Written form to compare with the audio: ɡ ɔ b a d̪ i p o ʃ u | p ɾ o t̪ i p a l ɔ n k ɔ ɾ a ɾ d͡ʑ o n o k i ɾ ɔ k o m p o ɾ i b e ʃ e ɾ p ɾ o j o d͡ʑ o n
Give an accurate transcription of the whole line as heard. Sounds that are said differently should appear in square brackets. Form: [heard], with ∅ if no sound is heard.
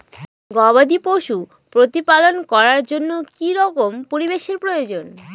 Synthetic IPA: ɡ ɔ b a d̪ i p o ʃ u | p ɾ o t̪ i p a l [o] n k ɔ ɾ a ɾ d͡ʑ o [nː] o k i ɾ ɔ k o m p o ɾ i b e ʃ e ɾ p ɾ o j o d͡ʑ o n